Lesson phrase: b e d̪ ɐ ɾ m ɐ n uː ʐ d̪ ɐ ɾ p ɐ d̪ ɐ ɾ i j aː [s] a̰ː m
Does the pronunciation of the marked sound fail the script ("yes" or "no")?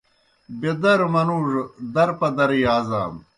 yes